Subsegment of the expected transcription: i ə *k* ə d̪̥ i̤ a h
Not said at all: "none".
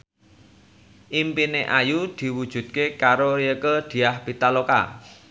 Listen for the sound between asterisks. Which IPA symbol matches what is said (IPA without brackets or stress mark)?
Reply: k